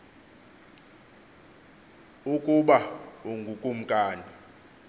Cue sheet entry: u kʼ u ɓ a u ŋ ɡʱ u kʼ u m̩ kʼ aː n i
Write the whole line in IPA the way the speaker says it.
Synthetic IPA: u kʼ u ɓ a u ŋ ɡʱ u kʼ u m̩ kʼ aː n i